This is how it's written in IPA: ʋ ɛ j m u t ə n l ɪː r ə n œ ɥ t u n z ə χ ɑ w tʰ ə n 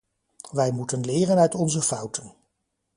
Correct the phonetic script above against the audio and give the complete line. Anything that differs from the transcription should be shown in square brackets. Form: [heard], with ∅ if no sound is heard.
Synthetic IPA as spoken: ʋ ɛ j m u t ə n l ɪː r ə n œ ɥ t [ɔ] n z ə [f] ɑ w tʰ ə n